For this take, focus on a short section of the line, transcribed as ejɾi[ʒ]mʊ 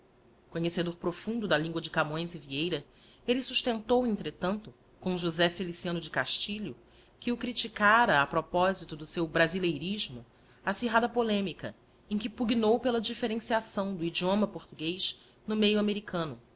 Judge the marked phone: correct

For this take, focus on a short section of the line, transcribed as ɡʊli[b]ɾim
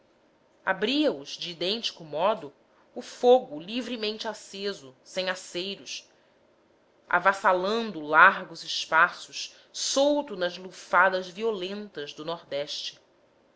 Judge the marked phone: incorrect: v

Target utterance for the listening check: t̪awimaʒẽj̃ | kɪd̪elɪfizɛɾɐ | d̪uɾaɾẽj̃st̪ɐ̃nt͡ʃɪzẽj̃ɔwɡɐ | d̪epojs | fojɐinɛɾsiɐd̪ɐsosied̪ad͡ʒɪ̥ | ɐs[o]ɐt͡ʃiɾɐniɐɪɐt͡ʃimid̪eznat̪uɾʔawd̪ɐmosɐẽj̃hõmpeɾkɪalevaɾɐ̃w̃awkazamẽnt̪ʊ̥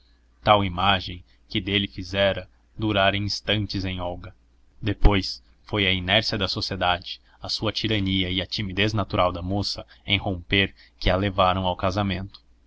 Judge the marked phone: incorrect: u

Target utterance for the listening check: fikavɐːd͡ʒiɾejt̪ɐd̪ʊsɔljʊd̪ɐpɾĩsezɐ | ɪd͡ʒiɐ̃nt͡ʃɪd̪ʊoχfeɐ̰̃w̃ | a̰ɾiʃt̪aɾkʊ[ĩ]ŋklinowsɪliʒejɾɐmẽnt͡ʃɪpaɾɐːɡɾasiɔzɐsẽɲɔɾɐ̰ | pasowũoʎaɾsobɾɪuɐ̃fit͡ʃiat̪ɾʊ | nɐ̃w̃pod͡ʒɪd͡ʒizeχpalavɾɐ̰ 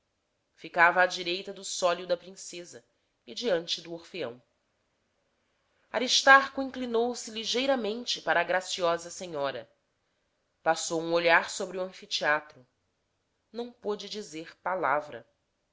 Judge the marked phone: correct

